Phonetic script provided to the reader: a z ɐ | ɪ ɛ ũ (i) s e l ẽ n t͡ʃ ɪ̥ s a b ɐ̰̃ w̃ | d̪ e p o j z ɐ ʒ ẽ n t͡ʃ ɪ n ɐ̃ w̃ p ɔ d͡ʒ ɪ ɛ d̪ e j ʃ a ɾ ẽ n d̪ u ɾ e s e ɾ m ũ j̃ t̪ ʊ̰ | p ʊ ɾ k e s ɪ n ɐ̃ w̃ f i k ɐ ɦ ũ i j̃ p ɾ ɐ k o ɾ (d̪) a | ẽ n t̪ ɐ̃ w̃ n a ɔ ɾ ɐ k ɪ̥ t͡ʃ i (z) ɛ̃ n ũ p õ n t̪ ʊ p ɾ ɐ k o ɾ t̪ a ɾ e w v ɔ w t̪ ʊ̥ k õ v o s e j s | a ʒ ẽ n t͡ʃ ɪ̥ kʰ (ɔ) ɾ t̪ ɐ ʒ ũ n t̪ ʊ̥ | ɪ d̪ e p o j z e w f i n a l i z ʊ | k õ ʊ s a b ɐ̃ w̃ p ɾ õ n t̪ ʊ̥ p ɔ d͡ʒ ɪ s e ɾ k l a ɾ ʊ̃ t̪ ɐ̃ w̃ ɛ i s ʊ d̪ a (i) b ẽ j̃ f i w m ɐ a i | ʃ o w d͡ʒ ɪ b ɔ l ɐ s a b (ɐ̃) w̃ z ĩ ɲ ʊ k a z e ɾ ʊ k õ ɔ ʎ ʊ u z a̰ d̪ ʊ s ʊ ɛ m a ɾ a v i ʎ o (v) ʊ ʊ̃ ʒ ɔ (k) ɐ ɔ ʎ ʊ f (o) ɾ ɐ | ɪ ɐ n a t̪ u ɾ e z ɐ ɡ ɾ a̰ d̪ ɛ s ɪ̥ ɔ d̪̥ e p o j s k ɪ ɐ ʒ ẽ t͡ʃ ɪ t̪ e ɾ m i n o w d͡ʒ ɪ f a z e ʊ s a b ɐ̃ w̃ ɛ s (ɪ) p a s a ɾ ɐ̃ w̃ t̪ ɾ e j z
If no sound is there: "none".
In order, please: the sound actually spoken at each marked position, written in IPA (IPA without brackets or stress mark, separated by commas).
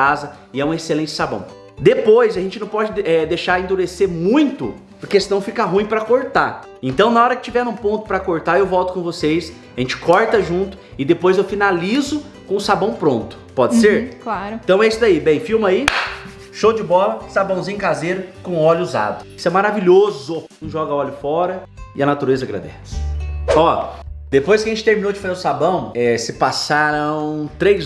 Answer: e, t̪, v, ɔ, i, ɐ̃, z, ɡ, ɔ, ɪ